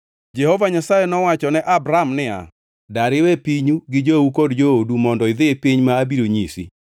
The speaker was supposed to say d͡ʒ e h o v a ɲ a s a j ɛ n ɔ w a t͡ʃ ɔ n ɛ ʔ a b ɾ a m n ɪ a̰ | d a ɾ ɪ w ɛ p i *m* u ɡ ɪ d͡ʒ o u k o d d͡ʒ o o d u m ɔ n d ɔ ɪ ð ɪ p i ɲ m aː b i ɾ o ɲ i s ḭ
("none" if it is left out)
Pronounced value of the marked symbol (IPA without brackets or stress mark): ɲ